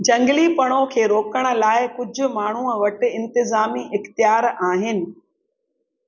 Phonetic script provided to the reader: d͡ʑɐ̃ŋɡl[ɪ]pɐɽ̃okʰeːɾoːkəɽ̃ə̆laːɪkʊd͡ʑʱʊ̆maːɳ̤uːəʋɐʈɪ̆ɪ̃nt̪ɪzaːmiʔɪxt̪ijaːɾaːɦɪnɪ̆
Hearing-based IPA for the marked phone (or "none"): i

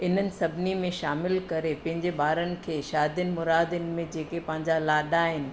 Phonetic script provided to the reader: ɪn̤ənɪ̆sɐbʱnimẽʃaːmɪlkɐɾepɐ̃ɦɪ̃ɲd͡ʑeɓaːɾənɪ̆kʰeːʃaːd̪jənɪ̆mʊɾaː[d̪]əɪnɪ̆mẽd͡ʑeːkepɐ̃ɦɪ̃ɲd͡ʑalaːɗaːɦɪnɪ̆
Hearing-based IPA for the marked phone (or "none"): d̪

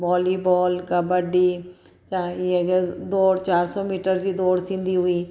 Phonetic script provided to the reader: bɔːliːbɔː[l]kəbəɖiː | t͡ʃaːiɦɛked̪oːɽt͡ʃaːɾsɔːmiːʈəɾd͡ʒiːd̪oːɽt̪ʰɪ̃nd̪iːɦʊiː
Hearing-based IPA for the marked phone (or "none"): l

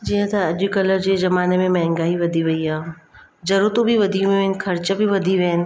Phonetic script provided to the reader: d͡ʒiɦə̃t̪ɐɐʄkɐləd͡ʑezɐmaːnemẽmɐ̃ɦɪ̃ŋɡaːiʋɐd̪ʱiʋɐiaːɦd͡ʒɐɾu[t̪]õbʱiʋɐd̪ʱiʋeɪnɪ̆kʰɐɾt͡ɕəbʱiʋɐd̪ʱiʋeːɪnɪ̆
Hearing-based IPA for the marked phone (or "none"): t̪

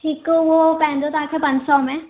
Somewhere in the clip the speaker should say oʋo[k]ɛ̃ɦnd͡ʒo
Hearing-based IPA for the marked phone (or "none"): p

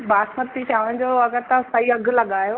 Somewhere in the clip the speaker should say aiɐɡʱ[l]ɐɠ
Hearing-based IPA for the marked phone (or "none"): l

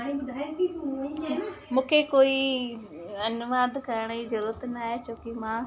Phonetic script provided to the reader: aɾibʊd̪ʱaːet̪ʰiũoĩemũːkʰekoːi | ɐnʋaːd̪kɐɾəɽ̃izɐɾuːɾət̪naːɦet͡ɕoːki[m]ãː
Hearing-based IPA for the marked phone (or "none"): m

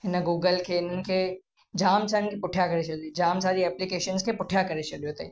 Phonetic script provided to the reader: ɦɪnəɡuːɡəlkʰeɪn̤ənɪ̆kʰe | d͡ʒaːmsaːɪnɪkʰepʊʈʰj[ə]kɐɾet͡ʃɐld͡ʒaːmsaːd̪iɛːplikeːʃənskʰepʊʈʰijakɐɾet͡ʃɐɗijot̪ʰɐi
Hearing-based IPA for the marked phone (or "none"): a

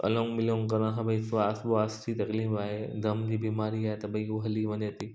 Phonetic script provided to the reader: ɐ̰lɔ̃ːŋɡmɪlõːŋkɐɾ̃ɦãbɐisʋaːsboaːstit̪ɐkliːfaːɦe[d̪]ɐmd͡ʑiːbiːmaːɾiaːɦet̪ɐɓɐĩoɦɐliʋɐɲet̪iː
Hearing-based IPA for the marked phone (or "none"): d̪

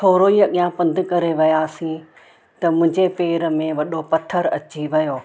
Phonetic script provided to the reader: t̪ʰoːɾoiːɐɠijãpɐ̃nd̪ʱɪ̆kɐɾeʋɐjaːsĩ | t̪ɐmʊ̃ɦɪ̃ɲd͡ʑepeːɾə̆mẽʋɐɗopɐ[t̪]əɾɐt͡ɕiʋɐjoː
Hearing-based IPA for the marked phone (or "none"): t̪ʰ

